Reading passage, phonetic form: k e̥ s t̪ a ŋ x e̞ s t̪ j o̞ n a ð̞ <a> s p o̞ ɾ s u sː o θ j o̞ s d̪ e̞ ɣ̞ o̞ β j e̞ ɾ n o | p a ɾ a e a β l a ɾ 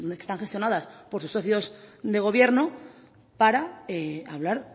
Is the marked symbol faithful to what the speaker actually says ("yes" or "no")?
yes